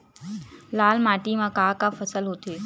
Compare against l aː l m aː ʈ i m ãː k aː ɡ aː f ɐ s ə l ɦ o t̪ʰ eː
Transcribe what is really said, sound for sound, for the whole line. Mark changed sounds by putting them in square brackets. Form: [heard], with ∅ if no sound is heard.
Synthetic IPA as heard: l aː l m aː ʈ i m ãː k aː [k] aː f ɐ s ə l ɦ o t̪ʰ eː